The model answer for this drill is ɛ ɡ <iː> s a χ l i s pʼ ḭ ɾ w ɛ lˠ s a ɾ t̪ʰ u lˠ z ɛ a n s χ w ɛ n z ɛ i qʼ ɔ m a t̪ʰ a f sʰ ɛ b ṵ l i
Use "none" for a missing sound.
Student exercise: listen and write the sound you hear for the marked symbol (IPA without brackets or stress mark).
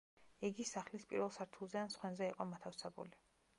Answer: i